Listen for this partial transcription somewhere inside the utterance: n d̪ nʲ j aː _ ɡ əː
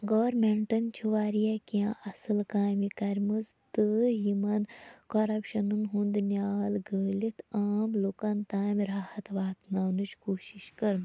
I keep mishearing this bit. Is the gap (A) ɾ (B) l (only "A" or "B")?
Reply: B